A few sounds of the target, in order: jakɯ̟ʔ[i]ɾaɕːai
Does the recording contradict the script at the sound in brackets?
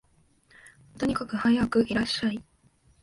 no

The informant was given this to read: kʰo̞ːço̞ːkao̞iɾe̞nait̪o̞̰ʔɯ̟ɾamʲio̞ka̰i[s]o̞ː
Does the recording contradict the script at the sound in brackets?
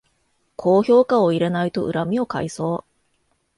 no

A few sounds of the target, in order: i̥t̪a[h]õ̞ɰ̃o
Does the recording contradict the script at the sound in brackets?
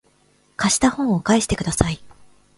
no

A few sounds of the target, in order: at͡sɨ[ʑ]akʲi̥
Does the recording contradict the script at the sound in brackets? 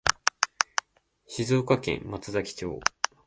yes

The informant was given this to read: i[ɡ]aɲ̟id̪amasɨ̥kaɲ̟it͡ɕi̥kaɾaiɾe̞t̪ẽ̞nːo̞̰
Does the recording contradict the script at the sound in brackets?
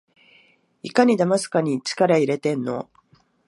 yes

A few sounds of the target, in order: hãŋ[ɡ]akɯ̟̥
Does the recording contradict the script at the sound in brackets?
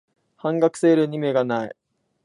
no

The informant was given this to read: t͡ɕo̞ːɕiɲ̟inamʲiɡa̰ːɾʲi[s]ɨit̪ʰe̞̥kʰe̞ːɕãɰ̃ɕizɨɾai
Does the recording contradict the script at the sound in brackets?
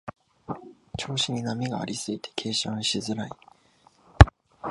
no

